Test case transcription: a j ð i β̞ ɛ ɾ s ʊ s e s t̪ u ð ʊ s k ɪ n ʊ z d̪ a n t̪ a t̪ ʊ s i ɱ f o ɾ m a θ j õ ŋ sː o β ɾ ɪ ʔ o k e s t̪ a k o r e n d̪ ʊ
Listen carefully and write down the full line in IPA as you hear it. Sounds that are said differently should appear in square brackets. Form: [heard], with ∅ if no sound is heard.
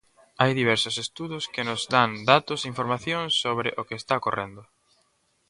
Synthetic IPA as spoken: a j ð i β̞ ɛ ɾ s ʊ s e s t̪ u ð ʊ s k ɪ n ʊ z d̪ a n [d̪] a t̪ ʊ s i ɱ f o ɾ m a θ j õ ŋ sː o β ɾ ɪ ʔ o k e s t̪ a k o r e n d̪ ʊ